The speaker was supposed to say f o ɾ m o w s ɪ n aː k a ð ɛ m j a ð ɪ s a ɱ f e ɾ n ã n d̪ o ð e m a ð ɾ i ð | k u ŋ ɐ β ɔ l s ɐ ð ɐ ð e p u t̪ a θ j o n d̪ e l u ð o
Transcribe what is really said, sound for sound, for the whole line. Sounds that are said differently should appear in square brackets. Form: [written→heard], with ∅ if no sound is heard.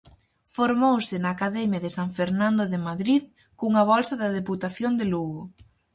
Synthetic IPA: f o ɾ m o w s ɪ n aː k a ð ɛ m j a ð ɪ s a ɱ f e ɾ n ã n d̪ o ð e m a ð ɾ i ð | k u ŋ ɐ β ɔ l s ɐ ð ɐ ð e p u t̪ a θ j o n d̪ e l u [ð→ɣ] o